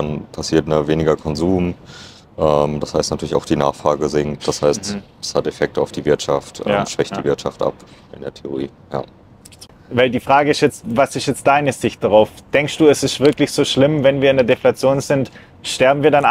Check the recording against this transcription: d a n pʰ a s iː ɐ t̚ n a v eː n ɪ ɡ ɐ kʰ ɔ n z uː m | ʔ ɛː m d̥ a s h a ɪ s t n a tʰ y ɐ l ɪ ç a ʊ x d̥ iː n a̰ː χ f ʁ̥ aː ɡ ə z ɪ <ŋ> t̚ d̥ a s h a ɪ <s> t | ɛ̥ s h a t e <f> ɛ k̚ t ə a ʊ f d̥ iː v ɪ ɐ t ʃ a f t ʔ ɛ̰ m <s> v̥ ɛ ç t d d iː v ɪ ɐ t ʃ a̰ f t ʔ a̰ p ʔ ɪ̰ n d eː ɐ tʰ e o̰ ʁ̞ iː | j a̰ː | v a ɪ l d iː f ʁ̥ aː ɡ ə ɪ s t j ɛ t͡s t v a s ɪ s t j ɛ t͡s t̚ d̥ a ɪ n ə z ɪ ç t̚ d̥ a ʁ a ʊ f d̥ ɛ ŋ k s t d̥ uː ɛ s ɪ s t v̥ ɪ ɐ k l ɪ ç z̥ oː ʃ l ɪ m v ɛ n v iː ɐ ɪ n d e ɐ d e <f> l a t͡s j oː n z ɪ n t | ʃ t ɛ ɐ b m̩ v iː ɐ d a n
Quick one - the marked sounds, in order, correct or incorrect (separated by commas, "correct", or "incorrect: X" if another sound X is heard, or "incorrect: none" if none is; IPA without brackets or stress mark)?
correct, correct, correct, incorrect: ʃ, correct